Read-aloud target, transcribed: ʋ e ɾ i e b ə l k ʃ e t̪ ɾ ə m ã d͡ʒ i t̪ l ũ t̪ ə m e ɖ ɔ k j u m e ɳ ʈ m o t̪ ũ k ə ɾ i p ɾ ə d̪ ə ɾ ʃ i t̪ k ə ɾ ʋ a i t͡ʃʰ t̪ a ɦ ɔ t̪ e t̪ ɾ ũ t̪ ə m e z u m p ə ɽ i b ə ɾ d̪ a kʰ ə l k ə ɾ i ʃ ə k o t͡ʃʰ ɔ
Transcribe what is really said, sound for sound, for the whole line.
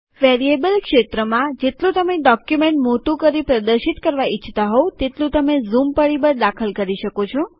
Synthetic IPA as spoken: ʋ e ɾ i e b ə l k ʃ e t̪ ɾ ə m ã d͡ʒ e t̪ l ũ t̪ ə m e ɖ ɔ k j u m e ɳ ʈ m o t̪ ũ k ə ɾ i p ɾ ə d̪ ə ɾ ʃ i t̪ k ə ɾ ʋ a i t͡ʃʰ t̪ a ɦ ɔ t̪ e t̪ l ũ t̪ ə m e z u m p ə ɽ i b ə ɾ d̪ a kʰ ə l k ə ɾ i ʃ ə k o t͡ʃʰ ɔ